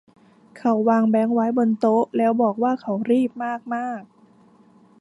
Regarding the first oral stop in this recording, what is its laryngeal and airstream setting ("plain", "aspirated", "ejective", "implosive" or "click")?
aspirated